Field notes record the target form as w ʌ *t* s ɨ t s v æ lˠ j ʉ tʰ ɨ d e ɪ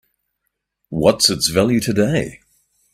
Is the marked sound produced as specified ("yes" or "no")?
yes